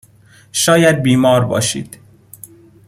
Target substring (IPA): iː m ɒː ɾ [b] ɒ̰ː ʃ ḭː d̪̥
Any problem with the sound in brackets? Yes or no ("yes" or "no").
no